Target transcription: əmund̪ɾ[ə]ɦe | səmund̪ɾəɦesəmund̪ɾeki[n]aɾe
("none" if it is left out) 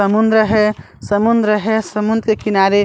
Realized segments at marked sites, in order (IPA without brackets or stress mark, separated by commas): ə, n